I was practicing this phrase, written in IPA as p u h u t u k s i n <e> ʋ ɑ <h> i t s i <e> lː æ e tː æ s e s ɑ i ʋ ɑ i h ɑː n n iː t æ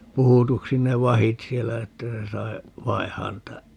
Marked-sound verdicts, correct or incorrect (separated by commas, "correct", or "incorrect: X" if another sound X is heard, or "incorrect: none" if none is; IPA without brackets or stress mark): correct, correct, correct